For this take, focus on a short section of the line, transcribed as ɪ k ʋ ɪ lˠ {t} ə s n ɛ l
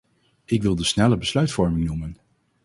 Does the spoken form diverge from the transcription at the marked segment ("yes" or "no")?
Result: yes